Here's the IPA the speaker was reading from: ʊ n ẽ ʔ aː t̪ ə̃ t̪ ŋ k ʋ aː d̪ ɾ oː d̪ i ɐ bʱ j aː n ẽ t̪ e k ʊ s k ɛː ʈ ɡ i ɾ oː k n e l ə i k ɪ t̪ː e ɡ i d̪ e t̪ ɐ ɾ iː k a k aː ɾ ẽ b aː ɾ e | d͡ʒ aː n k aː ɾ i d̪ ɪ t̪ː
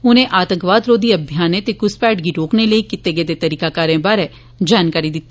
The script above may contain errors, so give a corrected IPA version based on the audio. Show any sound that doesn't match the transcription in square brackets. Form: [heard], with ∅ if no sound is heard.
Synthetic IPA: ʊ n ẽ ʔ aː t̪ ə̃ [∅] ŋ k ʋ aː d̪ ɾ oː d̪ i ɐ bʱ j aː n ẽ t̪ e k ʊ s [p] ɛː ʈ ɡ i ɾ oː k n e l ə i k ɪ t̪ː e ɡ [e] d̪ e t̪ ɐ ɾ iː k a k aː ɾ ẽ b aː ɾ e | d͡ʒ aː n k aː ɾ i d̪ ɪ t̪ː

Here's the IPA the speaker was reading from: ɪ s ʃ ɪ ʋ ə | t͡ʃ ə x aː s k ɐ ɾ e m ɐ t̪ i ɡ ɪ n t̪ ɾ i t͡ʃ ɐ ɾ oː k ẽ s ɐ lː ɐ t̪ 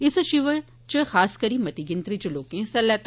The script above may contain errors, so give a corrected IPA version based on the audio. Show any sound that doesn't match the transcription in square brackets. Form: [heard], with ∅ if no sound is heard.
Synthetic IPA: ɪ s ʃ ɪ ʋ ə | t͡ʃ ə x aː s k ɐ ɾ [i] m ɐ t̪ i ɡ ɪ n t̪ ɾ i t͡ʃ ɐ [l] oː k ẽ s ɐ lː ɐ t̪

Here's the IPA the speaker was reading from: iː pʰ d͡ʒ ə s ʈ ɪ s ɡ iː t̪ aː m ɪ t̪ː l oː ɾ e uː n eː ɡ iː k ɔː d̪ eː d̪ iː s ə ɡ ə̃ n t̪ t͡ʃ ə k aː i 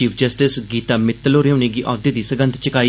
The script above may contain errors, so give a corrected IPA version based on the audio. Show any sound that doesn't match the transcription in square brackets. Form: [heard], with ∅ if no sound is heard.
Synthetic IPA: iː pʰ d͡ʒ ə s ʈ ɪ s ɡ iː t̪ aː m ɪ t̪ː l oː ɾ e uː n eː ɡ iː [ʔ] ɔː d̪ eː d̪ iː s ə ɡ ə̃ n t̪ t͡ʃ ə k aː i

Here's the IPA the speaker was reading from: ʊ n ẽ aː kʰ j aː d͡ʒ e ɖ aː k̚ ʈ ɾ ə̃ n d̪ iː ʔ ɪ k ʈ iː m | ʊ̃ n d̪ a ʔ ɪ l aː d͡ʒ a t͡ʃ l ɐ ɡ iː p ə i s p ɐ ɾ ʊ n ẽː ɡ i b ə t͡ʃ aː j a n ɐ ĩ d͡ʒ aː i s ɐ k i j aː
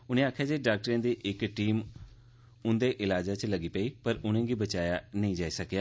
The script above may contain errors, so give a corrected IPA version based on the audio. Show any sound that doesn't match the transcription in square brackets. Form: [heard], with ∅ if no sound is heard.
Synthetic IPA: ʊ n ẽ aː kʰ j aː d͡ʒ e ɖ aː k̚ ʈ ɾ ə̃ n d̪ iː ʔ ɪ k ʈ iː m | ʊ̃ n d̪ [e] ʔ ɪ l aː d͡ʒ a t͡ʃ l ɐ ɡ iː p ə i [∅] p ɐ ɾ ʊ n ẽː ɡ i b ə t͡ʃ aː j a n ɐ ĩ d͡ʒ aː i s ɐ k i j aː

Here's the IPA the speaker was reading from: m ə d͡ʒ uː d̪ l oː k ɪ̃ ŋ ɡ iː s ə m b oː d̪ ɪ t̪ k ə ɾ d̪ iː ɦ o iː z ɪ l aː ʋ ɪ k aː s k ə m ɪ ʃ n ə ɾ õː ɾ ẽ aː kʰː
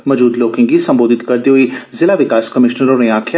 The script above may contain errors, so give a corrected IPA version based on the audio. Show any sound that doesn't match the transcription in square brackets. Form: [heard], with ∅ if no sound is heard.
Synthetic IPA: m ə d͡ʒ uː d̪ l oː k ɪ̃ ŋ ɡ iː s ə m b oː d̪ ɪ t̪ k ə ɾ d̪ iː ɦ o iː z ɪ l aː ʋ ɪ k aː s k ə m ɪ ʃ n ə ɾ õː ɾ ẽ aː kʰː

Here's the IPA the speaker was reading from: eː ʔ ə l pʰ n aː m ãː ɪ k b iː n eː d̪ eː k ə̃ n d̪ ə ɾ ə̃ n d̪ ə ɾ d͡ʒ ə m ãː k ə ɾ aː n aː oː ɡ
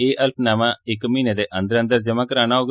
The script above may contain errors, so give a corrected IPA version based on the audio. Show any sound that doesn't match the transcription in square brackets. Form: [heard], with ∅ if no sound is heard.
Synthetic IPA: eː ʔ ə l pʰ n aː m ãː ɪ k [m] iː n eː d̪ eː [ʔ] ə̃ n d̪ ə ɾ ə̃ n d̪ ə ɾ d͡ʒ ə m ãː k ə ɾ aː n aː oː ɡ

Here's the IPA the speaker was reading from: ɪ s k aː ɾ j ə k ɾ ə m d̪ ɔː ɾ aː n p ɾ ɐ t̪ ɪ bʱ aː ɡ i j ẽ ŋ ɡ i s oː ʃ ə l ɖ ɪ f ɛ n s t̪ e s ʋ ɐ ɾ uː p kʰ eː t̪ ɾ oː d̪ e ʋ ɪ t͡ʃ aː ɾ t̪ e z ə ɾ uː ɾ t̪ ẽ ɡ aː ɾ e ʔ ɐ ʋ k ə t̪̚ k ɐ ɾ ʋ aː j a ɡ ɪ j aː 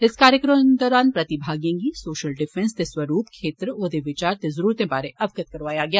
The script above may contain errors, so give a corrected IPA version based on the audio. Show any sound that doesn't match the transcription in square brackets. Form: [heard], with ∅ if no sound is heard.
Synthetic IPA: ɪ s k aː ɾ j ə k ɾ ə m d̪ ɔː ɾ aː n p ɾ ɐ t̪ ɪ bʱ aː ɡ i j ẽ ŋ ɡ i s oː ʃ ə l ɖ ɪ f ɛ n s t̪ e s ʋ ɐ ɾ uː p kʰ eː t̪ ɾ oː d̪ e ʋ ɪ t͡ʃ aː ɾ t̪ e z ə ɾ uː ɾ t̪ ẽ [b] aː ɾ e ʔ ɐ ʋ k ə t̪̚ k ɐ ɾ ʋ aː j a ɡ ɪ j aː

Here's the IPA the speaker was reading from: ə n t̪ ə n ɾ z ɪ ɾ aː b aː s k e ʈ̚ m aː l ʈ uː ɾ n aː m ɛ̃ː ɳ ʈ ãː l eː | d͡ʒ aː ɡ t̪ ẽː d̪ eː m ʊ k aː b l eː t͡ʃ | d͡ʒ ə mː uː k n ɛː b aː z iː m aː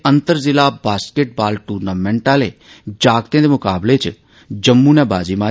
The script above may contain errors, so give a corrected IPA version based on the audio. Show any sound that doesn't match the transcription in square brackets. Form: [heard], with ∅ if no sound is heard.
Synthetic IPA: ə n t̪ ə [∅] ɾ z ɪ [l] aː b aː s k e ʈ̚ [b] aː l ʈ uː ɾ n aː m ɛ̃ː ɳ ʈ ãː l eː | d͡ʒ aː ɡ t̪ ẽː d̪ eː m ʊ k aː b l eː t͡ʃ | d͡ʒ ə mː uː [∅] n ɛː b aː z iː m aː

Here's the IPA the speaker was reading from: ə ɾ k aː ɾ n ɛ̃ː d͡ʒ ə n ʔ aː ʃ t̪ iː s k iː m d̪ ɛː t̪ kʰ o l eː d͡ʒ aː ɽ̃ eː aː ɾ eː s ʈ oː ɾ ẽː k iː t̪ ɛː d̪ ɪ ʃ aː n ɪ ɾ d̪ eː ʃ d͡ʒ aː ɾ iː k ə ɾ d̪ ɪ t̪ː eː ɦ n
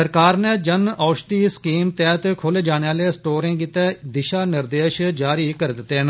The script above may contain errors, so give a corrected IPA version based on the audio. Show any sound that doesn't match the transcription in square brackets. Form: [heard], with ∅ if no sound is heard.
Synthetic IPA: ə ɾ k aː ɾ n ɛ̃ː d͡ʒ ə n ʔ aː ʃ t̪ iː s k iː m [t̪] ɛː t̪ kʰ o l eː d͡ʒ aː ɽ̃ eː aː [l] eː s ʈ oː ɾ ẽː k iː t̪ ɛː d̪ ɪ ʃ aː n ɪ ɾ d̪ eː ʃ d͡ʒ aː ɾ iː k ə ɾ d̪ ɪ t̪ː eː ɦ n

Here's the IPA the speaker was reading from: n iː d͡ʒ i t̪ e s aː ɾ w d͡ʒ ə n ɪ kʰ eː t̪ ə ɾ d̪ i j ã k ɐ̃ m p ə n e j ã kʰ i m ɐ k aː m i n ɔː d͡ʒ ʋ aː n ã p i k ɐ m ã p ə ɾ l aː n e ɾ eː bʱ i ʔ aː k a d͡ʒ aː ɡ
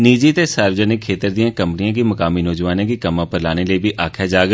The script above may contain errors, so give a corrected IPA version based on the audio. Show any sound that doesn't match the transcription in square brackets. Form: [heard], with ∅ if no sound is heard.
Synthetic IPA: n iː d͡ʒ i t̪ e s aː ɾ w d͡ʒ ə n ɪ kʰ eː t̪ ə ɾ d̪ i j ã k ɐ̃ m p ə n [i] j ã [k] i m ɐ k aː m i n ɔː d͡ʒ ʋ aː n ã [k] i k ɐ m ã p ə ɾ l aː n e [l] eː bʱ i ʔ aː [kʰ] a d͡ʒ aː ɡ

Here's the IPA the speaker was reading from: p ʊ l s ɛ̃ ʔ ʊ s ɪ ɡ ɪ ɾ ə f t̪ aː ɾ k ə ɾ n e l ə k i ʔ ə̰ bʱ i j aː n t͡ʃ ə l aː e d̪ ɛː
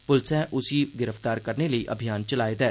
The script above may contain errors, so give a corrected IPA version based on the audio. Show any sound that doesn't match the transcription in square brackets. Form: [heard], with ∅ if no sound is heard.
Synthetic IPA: p ʊ l s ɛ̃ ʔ ʊ s [i] ɡ ɪ ɾ ə f t̪ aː ɾ k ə ɾ n e l ə [∅] i ʔ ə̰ bʱ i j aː n t͡ʃ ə l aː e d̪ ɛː

